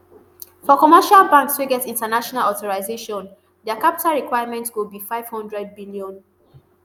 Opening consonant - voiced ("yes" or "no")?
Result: no